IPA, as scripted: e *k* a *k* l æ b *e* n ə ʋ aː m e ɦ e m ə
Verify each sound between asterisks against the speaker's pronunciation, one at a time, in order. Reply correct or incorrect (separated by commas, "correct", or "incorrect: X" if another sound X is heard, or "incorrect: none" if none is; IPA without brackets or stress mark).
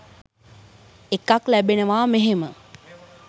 correct, correct, correct